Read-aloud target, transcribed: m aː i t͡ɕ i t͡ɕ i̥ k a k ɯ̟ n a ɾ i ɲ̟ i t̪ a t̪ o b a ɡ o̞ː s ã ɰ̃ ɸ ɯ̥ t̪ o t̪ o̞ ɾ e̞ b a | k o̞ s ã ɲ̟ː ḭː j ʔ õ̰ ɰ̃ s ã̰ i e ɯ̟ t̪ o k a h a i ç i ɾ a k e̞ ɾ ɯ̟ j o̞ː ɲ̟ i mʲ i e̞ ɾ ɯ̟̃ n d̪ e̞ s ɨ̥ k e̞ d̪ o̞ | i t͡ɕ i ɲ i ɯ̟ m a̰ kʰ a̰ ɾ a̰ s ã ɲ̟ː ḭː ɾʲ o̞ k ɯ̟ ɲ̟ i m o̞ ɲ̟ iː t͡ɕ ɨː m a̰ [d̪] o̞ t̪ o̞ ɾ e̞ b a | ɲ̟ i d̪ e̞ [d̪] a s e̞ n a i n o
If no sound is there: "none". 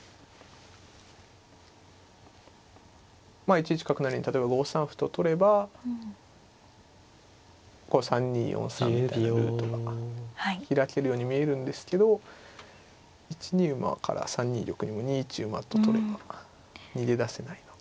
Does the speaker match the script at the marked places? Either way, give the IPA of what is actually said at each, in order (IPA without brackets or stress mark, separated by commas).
t̪, d̪